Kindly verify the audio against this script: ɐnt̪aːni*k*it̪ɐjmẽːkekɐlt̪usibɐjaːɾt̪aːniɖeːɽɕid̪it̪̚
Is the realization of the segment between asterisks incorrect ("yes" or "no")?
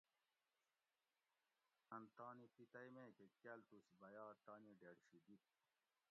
yes